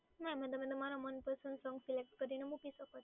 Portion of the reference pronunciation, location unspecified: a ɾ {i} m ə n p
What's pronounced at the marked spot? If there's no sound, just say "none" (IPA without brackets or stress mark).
a